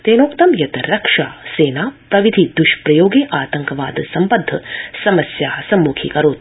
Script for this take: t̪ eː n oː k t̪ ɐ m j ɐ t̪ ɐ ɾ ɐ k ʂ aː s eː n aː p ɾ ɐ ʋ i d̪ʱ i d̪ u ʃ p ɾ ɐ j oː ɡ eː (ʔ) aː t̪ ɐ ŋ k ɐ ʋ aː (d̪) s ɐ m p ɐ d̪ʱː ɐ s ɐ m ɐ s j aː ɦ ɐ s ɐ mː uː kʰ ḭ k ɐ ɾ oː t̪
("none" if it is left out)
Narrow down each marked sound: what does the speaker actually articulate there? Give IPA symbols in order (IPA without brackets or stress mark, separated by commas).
ʔ, d̪